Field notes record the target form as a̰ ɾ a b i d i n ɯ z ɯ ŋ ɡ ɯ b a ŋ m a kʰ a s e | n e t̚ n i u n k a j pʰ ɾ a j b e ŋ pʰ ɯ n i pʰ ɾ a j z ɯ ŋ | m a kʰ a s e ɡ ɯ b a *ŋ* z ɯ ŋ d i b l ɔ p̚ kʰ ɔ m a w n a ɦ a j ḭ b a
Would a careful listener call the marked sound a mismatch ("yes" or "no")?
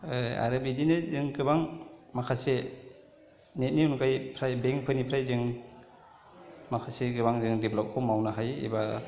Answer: no